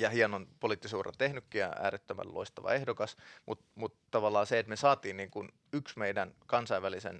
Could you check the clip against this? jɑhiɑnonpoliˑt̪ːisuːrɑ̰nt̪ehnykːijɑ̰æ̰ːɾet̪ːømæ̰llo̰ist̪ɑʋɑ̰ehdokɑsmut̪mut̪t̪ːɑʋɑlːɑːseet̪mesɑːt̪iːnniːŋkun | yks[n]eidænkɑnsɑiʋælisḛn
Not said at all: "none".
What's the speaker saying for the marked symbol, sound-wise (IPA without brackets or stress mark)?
m